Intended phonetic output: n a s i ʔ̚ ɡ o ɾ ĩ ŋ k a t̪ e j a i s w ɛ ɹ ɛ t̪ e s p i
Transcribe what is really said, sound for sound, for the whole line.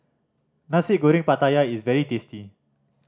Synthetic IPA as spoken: n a s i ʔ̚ ɡ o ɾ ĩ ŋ p a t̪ a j a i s v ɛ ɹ i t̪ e s t i